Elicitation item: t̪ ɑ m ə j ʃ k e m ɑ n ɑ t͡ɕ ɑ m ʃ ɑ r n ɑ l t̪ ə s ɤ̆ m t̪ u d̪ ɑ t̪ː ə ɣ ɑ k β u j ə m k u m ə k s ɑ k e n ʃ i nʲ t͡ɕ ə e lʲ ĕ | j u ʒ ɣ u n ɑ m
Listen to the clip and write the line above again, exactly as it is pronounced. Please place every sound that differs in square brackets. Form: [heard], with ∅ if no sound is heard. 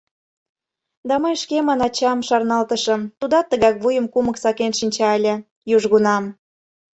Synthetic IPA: [d̪] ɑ m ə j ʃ k e m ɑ n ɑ t͡ɕ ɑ m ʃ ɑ r n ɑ l t̪ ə [ʃ] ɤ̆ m t̪ u d̪ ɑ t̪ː ə ɣ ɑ k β u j ə m k u m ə k s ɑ k e n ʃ i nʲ t͡ɕ [ɑ] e lʲ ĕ | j u ʒ ɣ u n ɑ m